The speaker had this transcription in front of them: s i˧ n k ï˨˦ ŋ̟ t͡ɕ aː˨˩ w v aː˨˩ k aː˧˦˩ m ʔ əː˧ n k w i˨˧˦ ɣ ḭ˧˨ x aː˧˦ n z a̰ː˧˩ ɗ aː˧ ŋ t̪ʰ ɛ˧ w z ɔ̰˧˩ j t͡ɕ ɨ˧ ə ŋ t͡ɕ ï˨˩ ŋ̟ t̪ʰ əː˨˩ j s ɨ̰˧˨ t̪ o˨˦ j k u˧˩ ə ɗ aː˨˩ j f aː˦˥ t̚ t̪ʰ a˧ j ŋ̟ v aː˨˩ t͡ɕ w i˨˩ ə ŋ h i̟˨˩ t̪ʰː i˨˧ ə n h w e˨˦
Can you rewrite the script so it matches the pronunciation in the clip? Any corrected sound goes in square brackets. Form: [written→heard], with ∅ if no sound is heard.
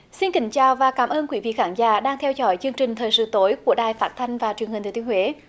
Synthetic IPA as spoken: s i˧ n k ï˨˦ ŋ̟ t͡ɕ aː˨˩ w v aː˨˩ k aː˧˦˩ m ʔ əː˧ n k w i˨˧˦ [ɣ→v] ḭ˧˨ x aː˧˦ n z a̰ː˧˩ ɗ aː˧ ŋ t̪ʰ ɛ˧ w z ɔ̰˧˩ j t͡ɕ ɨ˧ ə ŋ t͡ɕ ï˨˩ ŋ̟ t̪ʰ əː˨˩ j s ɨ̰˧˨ t̪ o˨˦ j k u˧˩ ə ɗ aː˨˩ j f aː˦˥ t̚ t̪ʰ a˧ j ŋ̟ v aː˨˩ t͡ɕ w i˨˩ ə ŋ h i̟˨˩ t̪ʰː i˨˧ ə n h w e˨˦